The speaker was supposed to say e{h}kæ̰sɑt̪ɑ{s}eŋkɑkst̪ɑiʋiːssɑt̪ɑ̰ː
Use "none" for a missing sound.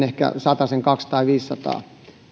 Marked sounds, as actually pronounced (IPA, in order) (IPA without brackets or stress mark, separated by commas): h, s